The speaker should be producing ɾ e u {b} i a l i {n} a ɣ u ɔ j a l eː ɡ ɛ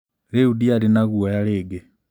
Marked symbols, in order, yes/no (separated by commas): no, yes